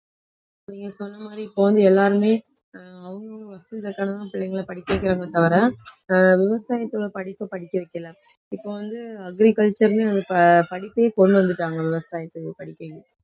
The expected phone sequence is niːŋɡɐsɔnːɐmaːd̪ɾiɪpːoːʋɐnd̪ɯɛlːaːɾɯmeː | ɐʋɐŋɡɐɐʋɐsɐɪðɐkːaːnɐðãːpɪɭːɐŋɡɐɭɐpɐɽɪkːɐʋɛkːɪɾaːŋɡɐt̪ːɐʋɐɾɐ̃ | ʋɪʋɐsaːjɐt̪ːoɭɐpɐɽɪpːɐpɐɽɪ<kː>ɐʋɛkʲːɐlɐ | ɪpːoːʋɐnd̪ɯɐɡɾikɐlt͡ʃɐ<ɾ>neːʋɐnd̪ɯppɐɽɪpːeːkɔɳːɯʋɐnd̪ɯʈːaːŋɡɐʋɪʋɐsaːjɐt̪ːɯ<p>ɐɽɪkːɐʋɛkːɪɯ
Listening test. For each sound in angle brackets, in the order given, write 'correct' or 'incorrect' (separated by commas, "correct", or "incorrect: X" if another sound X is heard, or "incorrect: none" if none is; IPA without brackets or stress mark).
correct, correct, correct